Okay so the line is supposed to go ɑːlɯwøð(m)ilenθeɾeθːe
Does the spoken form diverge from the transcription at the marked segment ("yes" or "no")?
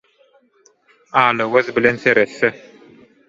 yes